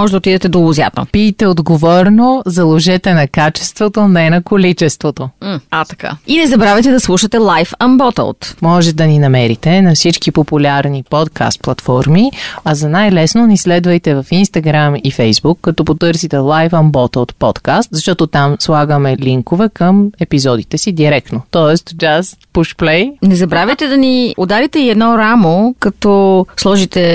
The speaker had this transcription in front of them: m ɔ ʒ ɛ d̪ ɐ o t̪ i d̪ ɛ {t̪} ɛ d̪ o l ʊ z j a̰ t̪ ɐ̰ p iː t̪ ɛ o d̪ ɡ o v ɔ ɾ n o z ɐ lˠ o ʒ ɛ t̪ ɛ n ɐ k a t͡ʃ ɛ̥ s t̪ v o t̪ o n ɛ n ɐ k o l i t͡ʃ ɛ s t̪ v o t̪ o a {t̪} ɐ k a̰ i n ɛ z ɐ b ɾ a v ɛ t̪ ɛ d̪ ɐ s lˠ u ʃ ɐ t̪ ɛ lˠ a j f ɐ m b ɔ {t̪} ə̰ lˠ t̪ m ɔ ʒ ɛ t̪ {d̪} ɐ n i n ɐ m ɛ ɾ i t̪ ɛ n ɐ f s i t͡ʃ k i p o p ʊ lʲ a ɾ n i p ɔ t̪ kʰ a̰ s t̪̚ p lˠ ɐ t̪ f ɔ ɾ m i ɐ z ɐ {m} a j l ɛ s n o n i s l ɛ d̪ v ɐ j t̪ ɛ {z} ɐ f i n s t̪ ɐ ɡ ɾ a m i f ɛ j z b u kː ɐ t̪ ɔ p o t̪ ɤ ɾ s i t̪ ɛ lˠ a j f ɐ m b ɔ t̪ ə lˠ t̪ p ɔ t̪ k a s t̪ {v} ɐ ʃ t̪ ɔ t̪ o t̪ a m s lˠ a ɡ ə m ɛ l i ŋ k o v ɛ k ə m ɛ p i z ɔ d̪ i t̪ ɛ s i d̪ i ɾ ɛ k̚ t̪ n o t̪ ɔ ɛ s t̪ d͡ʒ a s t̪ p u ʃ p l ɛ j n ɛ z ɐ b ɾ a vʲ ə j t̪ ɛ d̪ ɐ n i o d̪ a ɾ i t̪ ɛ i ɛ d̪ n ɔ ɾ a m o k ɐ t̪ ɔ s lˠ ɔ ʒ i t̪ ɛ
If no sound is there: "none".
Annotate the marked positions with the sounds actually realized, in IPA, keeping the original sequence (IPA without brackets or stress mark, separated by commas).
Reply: t̪, t̪, t̪, d̪, n, v, z